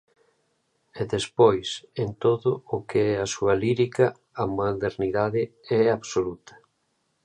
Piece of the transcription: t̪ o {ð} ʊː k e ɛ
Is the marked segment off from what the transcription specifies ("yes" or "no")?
no